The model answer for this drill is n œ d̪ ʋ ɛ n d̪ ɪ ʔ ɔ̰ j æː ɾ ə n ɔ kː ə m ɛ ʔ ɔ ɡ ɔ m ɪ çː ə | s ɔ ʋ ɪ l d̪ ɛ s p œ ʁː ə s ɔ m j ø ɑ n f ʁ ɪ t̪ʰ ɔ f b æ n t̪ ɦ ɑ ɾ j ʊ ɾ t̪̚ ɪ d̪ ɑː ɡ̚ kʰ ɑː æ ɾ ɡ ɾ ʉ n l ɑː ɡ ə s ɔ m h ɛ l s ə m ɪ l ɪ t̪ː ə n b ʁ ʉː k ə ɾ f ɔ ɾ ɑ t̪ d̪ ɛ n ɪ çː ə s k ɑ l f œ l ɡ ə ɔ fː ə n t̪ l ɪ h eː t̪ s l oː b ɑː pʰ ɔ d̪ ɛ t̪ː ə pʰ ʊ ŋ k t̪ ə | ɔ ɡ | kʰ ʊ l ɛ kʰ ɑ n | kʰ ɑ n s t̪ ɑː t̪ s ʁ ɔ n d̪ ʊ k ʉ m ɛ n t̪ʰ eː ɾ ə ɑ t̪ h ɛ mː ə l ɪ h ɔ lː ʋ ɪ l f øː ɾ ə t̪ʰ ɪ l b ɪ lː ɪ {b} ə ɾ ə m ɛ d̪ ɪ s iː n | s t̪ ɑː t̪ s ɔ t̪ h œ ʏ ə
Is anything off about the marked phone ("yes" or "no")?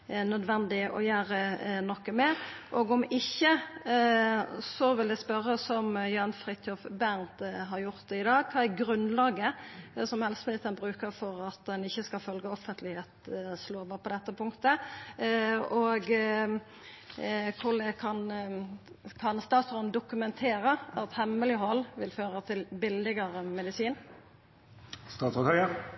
yes